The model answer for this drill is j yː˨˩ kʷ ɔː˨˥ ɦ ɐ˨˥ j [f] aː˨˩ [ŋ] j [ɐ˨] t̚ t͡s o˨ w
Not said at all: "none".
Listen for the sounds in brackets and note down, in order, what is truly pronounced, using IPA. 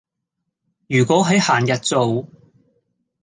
h, n, ɐ˨

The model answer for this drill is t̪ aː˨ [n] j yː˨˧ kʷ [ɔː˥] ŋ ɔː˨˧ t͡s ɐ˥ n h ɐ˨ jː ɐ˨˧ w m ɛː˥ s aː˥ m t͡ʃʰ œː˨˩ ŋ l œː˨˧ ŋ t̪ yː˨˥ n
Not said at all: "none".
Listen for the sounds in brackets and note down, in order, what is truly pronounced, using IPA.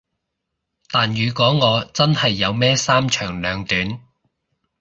n, ɔː˨˥

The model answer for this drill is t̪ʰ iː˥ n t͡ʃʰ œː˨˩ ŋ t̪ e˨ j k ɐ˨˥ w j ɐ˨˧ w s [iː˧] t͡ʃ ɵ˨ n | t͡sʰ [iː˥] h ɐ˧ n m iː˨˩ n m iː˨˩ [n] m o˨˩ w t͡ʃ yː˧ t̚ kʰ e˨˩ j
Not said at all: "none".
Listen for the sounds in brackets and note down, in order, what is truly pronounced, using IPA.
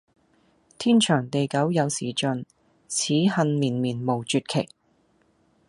iː˨˩, iː˨˥, n

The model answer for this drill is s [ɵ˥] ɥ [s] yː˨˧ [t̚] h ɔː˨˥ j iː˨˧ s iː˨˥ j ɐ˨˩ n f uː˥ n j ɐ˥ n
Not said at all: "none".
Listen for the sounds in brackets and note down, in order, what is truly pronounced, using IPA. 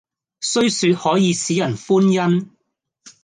ɵ˥, s, t̚

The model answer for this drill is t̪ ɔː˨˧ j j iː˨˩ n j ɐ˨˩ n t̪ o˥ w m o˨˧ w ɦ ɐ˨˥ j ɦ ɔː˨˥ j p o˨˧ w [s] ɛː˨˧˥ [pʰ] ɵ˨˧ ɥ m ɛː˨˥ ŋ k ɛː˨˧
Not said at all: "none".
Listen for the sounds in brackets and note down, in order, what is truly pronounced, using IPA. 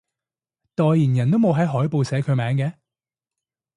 s, kʰ

